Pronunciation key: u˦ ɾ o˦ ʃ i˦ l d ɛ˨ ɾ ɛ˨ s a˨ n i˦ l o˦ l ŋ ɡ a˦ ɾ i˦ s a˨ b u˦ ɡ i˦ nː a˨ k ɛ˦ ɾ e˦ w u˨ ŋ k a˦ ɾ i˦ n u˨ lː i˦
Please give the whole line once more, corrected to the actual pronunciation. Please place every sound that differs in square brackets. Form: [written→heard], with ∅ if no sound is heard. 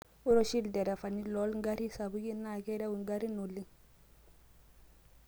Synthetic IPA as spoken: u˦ ɾ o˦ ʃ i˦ l d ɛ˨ ɾ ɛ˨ [s→f] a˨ n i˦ l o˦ l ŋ ɡ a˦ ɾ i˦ s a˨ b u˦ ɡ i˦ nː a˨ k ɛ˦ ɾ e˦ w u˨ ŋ [k→ɡ] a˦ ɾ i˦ n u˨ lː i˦